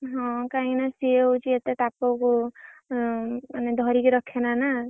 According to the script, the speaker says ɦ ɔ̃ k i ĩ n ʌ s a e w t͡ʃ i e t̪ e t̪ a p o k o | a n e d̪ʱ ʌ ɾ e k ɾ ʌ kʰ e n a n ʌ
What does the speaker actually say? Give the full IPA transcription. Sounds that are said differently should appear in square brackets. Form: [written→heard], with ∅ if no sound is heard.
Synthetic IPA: ɦ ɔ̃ k [i→a] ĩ n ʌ s [a→i] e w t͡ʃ i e t̪ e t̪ a p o k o | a n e d̪ʱ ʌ ɾ [e→i] k ɾ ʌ kʰ e n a n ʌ